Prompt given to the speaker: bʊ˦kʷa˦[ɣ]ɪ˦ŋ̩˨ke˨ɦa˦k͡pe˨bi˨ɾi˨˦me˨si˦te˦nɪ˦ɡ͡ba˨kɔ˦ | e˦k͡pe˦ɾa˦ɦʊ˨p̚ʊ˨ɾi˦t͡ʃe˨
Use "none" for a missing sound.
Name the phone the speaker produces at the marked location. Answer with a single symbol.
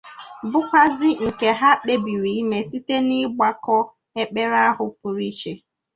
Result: z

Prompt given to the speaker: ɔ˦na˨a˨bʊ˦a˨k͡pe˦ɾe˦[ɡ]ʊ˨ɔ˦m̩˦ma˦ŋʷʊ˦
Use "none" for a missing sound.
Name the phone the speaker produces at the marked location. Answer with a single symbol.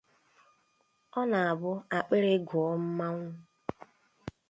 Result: ɡ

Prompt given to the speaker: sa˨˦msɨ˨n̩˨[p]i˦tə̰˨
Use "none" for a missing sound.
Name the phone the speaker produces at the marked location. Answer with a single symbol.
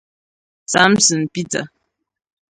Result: p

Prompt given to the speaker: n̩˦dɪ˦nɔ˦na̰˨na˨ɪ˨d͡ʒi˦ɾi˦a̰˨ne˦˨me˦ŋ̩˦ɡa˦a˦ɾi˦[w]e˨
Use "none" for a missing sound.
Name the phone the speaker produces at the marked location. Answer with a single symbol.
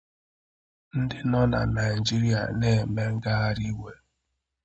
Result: w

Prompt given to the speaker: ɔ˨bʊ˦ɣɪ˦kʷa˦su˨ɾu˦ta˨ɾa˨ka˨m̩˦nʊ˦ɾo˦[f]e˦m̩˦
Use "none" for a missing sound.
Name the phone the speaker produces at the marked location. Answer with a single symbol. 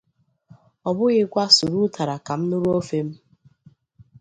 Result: f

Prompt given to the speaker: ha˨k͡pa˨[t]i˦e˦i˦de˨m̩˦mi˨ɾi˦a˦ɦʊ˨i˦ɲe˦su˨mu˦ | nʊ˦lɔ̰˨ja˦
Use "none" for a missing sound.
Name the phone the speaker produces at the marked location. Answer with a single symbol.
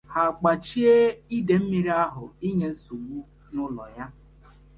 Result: t͡ʃ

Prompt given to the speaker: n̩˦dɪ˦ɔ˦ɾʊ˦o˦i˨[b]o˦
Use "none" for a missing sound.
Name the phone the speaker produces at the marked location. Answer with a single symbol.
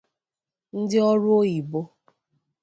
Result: b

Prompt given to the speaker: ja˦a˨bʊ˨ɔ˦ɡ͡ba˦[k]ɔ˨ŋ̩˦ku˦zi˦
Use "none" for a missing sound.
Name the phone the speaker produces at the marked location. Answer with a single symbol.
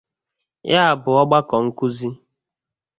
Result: k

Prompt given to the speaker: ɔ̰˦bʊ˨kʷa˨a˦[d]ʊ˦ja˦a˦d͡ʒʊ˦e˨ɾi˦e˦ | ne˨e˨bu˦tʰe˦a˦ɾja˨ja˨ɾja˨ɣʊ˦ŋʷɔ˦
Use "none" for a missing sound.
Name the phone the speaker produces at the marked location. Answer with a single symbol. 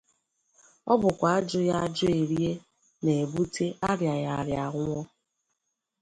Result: d͡ʒ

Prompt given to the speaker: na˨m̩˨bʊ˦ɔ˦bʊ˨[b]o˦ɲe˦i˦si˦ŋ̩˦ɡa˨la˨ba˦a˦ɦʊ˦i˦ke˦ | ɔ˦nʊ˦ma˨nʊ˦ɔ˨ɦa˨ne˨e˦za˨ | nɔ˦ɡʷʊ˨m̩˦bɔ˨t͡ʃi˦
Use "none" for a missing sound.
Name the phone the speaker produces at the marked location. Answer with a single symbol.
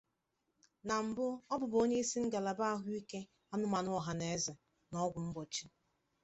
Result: b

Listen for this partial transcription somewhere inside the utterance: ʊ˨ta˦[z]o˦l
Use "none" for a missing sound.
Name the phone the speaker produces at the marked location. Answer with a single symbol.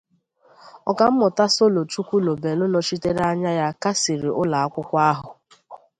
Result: s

